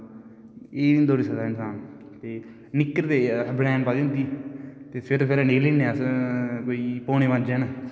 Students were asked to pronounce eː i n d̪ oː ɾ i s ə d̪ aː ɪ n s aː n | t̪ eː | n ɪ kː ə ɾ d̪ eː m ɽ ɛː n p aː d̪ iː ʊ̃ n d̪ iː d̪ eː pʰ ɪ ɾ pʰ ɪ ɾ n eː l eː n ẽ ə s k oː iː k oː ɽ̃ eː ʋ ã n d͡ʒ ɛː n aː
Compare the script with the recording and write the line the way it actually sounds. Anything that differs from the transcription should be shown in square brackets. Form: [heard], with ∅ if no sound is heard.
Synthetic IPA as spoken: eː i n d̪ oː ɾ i s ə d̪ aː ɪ n s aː n | t̪ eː | n ɪ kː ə ɾ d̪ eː [b] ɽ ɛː n p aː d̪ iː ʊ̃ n d̪ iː [t̪] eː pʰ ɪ ɾ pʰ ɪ ɾ n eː l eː n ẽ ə s k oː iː [p] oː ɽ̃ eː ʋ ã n d͡ʒ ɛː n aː